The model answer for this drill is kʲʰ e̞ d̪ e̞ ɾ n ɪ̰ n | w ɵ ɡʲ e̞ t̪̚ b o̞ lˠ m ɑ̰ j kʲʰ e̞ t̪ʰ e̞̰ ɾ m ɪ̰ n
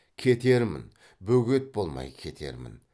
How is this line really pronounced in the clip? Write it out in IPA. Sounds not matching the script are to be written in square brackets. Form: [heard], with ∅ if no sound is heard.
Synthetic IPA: kʲʰ e̞ [t̪] e̞ ɾ [m] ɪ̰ n | [b] ɵ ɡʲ e̞ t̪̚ b o̞ lˠ m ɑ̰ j kʲʰ e̞ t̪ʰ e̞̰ ɾ m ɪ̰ n